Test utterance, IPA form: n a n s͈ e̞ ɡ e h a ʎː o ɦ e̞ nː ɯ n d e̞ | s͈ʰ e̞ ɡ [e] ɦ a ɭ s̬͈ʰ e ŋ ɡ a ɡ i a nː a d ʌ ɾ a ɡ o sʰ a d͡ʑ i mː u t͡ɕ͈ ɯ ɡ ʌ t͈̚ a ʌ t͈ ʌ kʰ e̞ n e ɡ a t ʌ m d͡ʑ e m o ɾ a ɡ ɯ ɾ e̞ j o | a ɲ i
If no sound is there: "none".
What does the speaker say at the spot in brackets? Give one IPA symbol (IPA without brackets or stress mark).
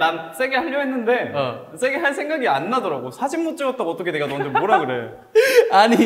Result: e